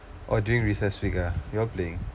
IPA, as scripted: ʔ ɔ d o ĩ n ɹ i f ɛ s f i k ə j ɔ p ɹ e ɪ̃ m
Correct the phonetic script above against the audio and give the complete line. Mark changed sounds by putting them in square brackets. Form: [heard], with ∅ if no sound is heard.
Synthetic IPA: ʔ ɔ d [u] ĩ [ŋ] ɹ i [s] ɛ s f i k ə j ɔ p [l] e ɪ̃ [ŋ]